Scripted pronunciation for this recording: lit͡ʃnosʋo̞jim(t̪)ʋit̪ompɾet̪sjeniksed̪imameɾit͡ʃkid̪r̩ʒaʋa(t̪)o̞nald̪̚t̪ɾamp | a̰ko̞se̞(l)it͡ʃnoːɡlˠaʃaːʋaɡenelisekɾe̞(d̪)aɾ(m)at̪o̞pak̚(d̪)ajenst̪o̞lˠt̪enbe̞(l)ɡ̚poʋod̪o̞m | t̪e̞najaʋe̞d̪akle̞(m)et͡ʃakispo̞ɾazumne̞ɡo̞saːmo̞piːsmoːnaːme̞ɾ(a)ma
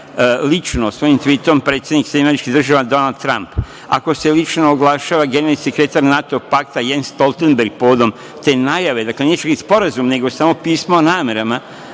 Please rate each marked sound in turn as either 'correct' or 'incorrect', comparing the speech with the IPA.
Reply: correct, incorrect: d̪, correct, incorrect: t̪, incorrect: n, incorrect: t̪, incorrect: ɾ, incorrect: n, correct

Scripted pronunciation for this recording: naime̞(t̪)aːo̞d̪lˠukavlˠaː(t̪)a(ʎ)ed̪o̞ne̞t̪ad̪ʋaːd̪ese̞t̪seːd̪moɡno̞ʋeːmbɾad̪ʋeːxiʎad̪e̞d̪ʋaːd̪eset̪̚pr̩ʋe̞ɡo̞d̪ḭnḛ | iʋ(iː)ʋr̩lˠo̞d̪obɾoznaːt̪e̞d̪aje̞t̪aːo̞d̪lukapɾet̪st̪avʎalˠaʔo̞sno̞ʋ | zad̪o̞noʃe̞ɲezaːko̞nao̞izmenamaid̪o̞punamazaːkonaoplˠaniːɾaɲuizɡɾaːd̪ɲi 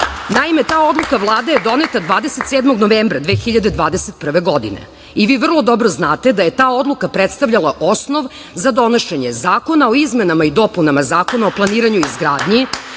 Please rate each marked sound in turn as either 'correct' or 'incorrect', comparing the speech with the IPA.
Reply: correct, incorrect: d̪, incorrect: j, correct

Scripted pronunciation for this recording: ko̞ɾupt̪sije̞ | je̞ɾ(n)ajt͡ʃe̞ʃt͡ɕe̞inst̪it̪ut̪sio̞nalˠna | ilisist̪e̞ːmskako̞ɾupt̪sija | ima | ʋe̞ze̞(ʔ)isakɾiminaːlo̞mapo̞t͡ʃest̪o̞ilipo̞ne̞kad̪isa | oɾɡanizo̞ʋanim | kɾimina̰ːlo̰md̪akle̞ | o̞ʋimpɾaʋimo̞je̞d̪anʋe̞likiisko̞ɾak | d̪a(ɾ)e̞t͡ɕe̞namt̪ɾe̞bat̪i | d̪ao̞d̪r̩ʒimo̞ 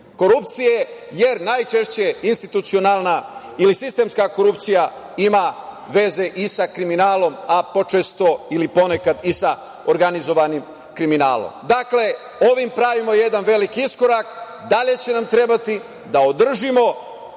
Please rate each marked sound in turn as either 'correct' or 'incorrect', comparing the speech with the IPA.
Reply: correct, correct, incorrect: ʎ

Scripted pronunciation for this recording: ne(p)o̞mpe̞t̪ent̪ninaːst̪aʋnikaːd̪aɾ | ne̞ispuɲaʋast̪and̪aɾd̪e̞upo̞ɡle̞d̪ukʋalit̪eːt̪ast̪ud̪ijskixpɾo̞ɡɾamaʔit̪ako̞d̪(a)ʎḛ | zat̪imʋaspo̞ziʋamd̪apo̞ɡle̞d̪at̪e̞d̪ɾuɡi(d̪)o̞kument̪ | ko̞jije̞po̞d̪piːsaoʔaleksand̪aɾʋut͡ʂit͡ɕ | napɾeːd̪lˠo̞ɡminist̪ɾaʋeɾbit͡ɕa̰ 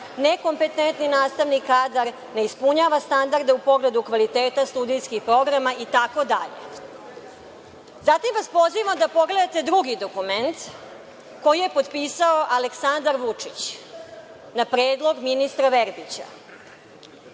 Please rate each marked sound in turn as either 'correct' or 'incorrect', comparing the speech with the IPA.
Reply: incorrect: k, correct, correct

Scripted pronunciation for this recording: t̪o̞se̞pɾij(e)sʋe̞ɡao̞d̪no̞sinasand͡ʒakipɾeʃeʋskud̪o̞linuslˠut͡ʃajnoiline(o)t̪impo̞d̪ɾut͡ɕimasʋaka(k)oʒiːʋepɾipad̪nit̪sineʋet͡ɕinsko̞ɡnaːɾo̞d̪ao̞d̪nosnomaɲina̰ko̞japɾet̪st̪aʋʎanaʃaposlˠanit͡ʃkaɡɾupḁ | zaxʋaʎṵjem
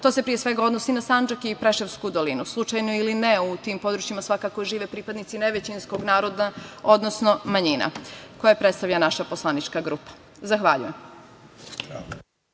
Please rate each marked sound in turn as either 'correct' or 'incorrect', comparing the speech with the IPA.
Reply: correct, incorrect: u, correct

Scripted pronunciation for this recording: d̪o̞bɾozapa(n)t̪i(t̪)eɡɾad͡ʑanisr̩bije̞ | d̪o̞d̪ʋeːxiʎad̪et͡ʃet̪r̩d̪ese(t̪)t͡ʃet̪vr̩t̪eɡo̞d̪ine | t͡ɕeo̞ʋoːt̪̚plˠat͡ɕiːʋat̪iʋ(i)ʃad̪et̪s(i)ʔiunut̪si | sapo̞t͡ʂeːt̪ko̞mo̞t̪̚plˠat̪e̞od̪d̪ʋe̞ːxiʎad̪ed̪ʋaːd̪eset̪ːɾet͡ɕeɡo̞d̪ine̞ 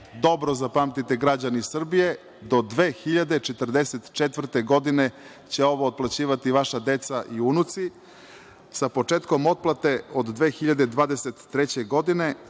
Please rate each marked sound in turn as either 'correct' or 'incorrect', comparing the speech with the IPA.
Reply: incorrect: m, correct, correct, incorrect: a, incorrect: a

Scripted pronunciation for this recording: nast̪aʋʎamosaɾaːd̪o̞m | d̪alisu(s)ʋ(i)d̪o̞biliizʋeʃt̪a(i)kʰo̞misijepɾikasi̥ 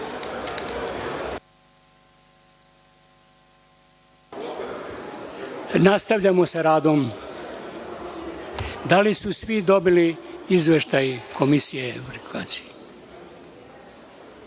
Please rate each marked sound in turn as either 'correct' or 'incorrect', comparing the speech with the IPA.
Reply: correct, correct, incorrect: j

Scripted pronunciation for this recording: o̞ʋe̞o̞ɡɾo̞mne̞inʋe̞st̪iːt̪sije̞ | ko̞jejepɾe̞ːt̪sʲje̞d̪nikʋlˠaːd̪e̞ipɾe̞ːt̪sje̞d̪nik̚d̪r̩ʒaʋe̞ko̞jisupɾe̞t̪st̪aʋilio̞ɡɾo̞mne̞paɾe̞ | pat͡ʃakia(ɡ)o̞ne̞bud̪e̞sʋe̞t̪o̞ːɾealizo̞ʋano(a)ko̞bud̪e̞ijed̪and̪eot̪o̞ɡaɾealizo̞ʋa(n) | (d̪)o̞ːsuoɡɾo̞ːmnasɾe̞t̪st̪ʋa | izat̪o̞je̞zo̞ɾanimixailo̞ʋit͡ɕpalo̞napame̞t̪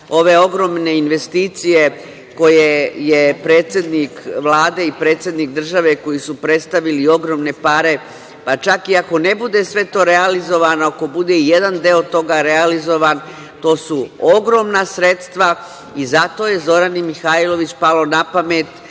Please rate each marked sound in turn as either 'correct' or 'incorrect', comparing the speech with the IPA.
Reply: incorrect: k, correct, correct, incorrect: t̪

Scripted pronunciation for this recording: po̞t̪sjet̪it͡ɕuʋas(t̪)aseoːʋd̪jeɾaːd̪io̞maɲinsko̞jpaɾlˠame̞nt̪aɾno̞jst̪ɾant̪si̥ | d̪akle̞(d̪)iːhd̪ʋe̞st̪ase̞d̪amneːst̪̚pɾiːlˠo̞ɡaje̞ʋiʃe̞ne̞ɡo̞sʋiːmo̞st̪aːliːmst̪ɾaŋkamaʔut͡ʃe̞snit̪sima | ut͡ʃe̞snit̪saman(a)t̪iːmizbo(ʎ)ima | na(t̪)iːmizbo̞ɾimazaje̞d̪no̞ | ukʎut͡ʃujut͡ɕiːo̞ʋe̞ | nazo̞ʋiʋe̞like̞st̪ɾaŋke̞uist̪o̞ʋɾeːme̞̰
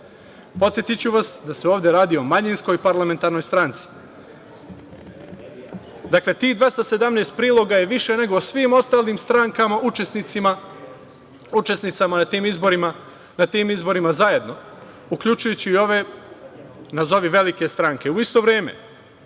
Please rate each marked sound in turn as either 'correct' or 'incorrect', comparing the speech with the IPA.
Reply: incorrect: d̪, incorrect: t̪, correct, incorrect: ɾ, correct

